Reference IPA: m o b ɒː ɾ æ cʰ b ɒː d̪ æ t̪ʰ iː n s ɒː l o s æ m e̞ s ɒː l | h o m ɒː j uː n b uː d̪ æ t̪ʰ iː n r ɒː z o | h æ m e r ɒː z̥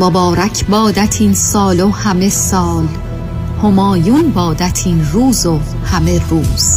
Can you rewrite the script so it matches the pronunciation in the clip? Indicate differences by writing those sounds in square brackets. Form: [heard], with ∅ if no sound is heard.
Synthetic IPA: m o b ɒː ɾ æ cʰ b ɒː d̪ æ t̪ʰ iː n s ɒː l o [h] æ m e̞ s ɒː l | h o m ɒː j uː n b [ɒː] d̪ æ t̪ʰ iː n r [uː] z o | h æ m e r [uː] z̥